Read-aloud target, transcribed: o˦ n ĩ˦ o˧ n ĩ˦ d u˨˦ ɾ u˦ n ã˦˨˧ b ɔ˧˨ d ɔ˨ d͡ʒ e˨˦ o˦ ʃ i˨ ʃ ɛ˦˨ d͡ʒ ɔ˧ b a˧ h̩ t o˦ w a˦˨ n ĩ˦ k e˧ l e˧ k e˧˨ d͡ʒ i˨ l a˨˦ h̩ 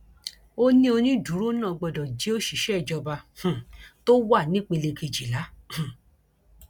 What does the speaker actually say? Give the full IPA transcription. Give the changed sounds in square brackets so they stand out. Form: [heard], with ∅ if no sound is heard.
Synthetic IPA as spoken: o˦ n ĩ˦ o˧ n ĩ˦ d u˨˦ ɾ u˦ n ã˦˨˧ [ɡ͡b] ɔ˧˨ d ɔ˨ d͡ʒ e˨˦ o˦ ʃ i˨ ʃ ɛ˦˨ d͡ʒ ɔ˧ b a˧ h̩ t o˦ w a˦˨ n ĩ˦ [k͡p] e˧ l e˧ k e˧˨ d͡ʒ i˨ l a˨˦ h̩